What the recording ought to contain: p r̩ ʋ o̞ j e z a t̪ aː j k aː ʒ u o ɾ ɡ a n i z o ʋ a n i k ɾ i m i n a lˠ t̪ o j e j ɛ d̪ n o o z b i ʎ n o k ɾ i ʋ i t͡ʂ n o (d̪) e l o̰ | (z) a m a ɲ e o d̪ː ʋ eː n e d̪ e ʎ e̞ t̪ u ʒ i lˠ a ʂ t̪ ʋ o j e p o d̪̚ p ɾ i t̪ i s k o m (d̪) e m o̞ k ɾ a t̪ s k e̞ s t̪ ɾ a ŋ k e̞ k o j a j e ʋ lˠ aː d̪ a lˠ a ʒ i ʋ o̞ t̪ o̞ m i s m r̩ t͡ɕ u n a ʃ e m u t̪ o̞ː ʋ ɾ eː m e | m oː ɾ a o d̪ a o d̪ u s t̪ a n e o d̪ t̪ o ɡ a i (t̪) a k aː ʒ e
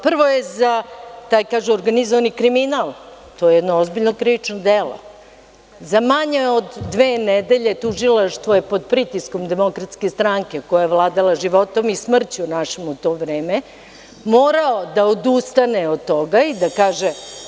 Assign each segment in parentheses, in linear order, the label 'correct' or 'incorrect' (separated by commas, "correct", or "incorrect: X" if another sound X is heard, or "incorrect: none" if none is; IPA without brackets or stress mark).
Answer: correct, correct, correct, incorrect: d̪